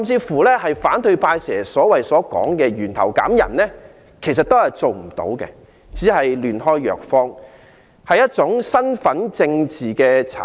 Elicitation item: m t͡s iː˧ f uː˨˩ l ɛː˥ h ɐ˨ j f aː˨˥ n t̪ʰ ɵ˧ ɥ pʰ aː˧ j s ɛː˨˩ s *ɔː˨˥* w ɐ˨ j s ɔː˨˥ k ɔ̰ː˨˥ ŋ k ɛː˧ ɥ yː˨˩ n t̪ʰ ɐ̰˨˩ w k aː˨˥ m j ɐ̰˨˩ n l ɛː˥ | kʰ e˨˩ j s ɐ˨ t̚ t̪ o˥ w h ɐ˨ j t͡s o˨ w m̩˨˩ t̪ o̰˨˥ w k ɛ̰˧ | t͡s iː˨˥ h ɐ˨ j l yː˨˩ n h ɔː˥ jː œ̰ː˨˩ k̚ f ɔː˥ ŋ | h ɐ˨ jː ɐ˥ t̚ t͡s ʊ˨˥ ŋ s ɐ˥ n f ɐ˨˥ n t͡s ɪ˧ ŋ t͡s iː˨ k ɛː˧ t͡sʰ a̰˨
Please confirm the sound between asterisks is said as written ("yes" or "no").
yes